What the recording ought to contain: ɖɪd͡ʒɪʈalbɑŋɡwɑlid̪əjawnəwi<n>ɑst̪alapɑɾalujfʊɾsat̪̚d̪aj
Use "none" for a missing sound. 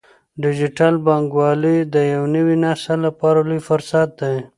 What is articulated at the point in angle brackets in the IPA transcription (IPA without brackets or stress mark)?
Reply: n